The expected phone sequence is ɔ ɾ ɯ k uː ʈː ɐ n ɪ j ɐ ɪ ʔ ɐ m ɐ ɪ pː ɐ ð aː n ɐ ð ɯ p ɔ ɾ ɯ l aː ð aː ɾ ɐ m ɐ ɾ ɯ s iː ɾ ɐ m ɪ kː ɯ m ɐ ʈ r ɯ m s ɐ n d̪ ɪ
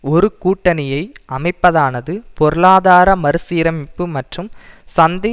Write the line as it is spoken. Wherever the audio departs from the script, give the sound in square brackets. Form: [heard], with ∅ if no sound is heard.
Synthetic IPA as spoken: ɔ ɾ ɯ k uː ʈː ɐ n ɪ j ɐ ɪ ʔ ɐ m ɐ ɪ pː ɐ ð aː n ɐ ð ɯ p ɔ ɾ ɯ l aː ð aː ɾ ɐ m ɐ ɾ ɯ s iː ɾ ɐ m ɪ [pː] ɯ m ɐ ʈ r ɯ m s ɐ n d̪ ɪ

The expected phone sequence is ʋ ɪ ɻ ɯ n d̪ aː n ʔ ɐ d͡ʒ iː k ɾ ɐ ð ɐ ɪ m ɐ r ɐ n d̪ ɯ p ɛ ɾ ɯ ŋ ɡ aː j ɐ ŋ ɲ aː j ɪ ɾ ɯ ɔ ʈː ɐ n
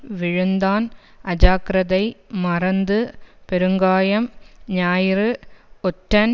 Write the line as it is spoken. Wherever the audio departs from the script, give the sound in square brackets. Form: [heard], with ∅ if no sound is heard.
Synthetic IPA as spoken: ʋ ɪ ɻ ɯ n d̪ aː n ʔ ɐ d͡ʒ [aː] k ɾ ɐ ð ɐ ɪ m ɐ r ɐ n d̪ ɯ p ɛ ɾ ɯ ŋ ɡ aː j ɐ [m] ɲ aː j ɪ ɾ ɯ ɔ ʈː ɐ n

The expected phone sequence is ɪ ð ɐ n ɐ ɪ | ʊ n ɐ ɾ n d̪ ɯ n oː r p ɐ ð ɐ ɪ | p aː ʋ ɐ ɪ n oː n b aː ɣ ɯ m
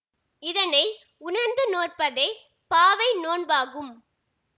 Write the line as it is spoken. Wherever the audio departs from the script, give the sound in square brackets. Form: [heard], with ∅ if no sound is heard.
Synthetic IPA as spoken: ɪ ð ɐ n ɐ ɪ | ʊ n ɐ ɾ n d̪ ɯ n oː r p ɐ ð ɐ ɪ | p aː ʋ ɐ ɪ n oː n b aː ɣ ɯ m

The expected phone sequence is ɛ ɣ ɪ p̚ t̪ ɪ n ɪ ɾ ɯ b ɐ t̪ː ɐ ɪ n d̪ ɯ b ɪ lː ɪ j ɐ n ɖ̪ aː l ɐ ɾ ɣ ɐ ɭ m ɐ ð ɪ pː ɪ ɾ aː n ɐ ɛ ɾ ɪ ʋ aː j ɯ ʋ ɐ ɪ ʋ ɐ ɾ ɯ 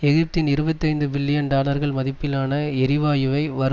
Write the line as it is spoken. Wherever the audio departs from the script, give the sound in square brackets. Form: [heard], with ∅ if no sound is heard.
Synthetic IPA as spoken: ɛ ɣ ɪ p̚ t̪ ɪ n ɪ ɾ ɯ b ɐ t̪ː ɐ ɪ n d̪ ɯ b ɪ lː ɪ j ɐ n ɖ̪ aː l ɐ ɾ ɣ ɐ ɭ m ɐ ð ɪ pː ɪ [l] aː n ɐ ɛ ɾ ɪ ʋ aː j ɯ ʋ ɐ ɪ ʋ ɐ ɾ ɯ

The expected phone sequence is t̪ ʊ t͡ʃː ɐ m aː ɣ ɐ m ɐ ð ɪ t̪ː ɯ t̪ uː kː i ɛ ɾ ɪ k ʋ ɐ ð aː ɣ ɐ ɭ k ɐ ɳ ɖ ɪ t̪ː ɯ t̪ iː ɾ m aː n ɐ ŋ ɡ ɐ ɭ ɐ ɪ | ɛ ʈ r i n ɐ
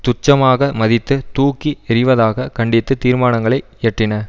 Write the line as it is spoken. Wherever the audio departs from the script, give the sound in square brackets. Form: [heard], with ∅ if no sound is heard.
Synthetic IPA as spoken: t̪ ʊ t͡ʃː ɐ m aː ɣ ɐ m ɐ ð ɪ t̪ː ɯ t̪ uː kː i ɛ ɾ ɪ [∅] ʋ ɐ ð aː ɣ ɐ [∅] k ɐ ɳ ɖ ɪ t̪ː ɯ t̪ iː ɾ m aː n ɐ ŋ ɡ ɐ ɭ ɐ ɪ | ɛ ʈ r [ɪ] n ɐ

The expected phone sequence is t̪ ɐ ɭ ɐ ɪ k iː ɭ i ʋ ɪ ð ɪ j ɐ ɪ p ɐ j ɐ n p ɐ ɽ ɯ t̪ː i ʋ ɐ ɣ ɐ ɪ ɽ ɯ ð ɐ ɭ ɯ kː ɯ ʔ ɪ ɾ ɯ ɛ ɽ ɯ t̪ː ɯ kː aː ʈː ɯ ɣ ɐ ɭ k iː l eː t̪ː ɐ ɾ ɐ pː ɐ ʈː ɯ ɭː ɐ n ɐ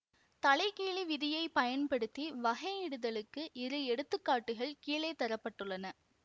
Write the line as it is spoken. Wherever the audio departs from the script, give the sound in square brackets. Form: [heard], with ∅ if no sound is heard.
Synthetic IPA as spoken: t̪ ɐ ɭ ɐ ɪ k iː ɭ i ʋ ɪ ð ɪ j ɐ ɪ p ɐ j ɐ n p ɐ ɽ ɯ t̪ː i ʋ ɐ ɣ ɐ ɪ ɽ ɯ ð ɐ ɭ ɯ kː ɯ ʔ ɪ ɾ ɯ ɛ ɽ ɯ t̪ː ɯ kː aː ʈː ɯ ɣ ɐ ɭ k iː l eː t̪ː ɐ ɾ ɐ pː ɐ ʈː ɯ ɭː ɐ n ɐ

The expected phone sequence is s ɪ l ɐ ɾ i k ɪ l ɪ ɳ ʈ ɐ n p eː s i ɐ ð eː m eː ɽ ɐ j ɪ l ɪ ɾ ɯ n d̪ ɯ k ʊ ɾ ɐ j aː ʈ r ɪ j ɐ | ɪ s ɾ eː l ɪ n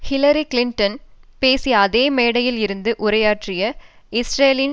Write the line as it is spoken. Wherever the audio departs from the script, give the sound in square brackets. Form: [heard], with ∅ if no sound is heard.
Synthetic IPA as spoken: [h] ɪ l ɐ ɾ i k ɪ l ɪ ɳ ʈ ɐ n p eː s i ɐ ð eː m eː ɽ ɐ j ɪ l ɪ ɾ ɯ n d̪ ɯ [ʔ] ʊ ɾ ɐ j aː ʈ r ɪ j ɐ | ɪ s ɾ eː l ɪ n

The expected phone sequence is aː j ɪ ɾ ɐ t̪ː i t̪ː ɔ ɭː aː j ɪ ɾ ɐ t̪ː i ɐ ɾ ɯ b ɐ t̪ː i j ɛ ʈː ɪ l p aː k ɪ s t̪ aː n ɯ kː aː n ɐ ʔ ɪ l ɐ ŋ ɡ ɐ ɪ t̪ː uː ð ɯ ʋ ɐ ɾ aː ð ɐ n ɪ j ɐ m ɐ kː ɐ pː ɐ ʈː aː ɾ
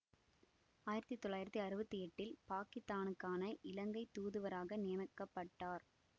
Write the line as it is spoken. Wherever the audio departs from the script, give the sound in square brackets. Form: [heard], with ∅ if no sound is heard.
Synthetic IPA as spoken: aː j ɪ ɾ ɐ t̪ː i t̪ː ɔ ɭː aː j ɪ ɾ ɐ t̪ː i ɐ ɾ ɯ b ɐ t̪ː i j ɛ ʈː ɪ l p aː k ɪ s t̪ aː n ɯ kː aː n ɐ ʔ ɪ l ɐ ŋ ɡ ɐ ɪ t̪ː uː ð ɯ ʋ ɐ ɾ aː [ɣ] ɐ n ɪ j ɐ m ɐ kː ɐ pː ɐ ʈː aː ɾ

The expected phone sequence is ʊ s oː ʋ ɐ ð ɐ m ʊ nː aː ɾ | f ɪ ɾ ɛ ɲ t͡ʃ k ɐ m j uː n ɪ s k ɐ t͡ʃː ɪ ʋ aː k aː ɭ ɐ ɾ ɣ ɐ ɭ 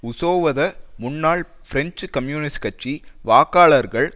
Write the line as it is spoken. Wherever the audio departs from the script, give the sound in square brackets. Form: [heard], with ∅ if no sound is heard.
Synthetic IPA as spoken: ʊ s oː ʋ ɐ ð ɐ m ʊ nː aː [ɭ] | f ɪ ɾ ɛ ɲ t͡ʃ k ɐ m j uː n ɪ s k ɐ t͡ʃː [i] ʋ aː k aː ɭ ɐ ɾ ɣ ɐ ɭ

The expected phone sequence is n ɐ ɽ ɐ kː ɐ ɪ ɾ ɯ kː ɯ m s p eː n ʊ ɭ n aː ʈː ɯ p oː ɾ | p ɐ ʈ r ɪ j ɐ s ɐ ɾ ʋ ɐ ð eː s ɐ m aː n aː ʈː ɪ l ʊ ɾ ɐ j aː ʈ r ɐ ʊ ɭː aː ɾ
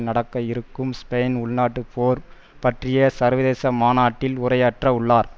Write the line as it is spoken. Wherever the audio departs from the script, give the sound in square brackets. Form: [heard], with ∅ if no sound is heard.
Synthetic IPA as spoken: n ɐ ɽ ɐ kː ɐ ɪ ɾ ɯ kː ɯ m s p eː n ʊ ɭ n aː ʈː ɯ p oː ɾ | p ɐ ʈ r ɪ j ɐ s ɐ ɾ ʋ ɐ ð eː s ɐ m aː n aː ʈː ɪ l ʊ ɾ ɐ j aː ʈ r ɐ ʊ ɭː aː ɾ

